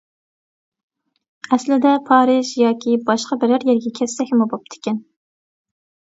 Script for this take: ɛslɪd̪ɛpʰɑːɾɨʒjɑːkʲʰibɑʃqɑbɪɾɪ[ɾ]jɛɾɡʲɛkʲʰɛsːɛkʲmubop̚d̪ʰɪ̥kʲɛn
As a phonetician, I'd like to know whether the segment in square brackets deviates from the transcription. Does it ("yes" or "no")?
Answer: no